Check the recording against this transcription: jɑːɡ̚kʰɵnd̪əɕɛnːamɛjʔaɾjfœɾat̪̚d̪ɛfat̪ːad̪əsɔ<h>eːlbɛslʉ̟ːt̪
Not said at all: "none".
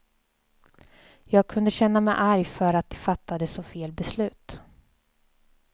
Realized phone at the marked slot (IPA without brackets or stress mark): f